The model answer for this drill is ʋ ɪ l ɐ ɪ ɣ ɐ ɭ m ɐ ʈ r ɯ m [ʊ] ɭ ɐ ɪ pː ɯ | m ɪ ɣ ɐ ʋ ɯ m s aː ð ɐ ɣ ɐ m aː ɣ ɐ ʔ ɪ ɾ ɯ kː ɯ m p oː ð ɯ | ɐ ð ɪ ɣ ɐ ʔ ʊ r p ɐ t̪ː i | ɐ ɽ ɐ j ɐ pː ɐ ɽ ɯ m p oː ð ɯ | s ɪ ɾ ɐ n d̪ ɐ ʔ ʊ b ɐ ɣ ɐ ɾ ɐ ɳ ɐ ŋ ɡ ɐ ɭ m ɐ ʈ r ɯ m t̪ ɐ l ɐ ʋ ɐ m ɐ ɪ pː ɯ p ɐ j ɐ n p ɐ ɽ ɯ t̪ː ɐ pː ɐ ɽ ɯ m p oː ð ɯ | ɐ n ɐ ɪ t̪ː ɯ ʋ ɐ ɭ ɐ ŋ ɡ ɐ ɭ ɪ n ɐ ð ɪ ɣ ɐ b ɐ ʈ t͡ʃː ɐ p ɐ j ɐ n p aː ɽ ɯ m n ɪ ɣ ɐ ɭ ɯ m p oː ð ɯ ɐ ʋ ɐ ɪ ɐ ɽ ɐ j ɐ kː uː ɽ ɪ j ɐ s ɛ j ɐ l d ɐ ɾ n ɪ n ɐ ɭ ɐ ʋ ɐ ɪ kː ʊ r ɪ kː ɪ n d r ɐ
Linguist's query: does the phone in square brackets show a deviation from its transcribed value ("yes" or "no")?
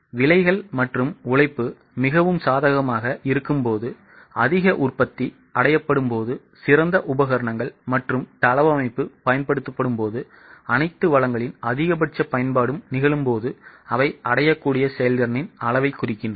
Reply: no